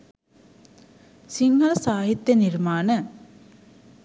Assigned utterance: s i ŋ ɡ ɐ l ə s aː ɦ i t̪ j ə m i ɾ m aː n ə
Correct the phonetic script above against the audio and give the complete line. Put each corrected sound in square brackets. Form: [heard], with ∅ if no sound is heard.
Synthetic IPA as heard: s i ŋ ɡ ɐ l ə s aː ɦ i t̪ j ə [n] i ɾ m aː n ə